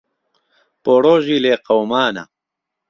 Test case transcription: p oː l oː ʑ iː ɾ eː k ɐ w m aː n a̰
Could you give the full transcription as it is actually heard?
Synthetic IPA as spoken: p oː ɽ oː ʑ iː l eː q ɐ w m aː n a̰